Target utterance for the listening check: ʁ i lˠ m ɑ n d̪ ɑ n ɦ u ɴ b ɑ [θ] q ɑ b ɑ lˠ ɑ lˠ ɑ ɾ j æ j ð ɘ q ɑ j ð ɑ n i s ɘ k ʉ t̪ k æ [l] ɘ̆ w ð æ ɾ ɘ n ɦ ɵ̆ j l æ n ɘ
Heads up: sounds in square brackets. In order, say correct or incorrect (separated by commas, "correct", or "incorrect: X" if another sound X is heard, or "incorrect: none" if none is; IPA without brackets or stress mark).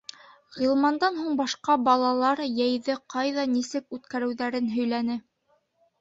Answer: incorrect: ʃ, incorrect: ɾ